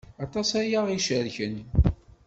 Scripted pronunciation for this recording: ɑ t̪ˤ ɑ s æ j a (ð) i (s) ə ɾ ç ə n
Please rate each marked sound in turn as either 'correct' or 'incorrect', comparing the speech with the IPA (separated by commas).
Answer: incorrect, incorrect